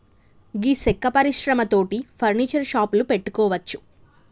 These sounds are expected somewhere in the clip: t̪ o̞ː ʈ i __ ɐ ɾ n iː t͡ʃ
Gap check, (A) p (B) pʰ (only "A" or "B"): B